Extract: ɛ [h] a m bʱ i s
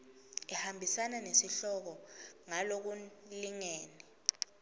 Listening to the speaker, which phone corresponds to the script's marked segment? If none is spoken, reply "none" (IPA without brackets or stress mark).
h